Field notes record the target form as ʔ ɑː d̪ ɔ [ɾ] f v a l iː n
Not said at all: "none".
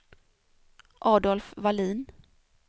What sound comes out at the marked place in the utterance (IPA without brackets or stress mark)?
l